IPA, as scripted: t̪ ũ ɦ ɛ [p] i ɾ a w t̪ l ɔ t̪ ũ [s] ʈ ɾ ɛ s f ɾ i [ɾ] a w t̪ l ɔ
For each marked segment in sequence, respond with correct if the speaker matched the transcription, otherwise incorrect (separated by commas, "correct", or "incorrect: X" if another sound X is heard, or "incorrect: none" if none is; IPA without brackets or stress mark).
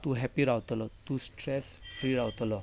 correct, correct, correct